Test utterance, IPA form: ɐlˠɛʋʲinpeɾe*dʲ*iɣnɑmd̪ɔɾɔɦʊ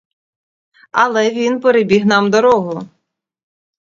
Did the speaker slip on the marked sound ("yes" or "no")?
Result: yes